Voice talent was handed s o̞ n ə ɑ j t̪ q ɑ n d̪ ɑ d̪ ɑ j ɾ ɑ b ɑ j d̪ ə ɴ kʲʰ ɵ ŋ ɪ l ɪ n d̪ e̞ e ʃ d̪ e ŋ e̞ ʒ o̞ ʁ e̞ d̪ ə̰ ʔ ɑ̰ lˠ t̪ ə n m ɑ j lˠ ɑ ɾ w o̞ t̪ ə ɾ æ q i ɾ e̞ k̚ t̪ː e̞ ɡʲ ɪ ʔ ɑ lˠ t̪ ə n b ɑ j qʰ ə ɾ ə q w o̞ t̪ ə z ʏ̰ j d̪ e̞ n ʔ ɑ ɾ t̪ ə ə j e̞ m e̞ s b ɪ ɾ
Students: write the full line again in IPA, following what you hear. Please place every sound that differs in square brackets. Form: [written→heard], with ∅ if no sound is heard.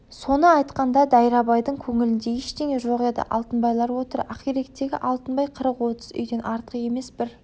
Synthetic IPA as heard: s o̞ n ə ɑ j t̪ q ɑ n d̪ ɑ d̪ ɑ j ɾ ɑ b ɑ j d̪ ə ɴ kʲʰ ɵ ŋ ɪ l ɪ n d̪ e̞ e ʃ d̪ e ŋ e̞ ʒ o̞ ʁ e̞ d̪ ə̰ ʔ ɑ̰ lˠ t̪ ə n [m→b] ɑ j lˠ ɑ ɾ w o̞ t̪ ə ɾ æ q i ɾ e̞ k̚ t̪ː e̞ ɡʲ ɪ ʔ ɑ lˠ t̪ ə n b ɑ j qʰ ə ɾ ə q w o̞ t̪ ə z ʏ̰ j d̪ e̞ n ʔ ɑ ɾ t̪ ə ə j e̞ m e̞ s b ɪ ɾ